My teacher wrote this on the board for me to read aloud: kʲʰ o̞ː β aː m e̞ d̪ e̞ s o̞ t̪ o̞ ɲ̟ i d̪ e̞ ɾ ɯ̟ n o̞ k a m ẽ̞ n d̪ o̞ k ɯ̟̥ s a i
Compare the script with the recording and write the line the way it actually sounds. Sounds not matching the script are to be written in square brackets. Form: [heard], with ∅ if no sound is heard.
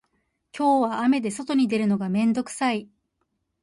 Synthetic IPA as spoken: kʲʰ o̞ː β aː m e̞ d̪ e̞ s o̞ t̪ o̞ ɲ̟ i d̪ e̞ ɾ ɯ̟ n o̞ [ɡ] a m ẽ̞ n d̪ o̞ k ɯ̟̥ s a i

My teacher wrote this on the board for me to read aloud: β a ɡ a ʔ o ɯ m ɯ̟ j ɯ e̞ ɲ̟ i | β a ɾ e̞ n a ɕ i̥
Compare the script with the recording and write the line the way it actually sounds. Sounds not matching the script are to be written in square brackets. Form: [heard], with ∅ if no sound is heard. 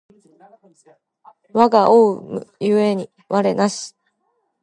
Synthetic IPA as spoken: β a ɡ a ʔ o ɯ m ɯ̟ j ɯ e̞ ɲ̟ i | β a ɾ e̞ n a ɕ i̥

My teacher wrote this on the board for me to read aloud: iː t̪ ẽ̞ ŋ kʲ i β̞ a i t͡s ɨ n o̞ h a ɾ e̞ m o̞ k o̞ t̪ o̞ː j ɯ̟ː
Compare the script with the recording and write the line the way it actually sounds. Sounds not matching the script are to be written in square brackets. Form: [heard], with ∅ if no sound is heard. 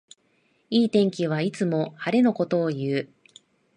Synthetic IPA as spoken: iː t̪ ẽ̞ ŋ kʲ i β̞ a i t͡s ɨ [m] o̞ h a ɾ e̞ [n] o̞ k o̞ t̪ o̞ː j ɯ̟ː

